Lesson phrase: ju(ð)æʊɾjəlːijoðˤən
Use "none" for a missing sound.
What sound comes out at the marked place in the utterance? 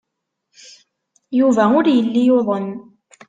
v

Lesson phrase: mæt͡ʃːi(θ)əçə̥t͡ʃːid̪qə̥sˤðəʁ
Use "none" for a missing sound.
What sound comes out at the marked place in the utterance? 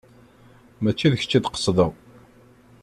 ð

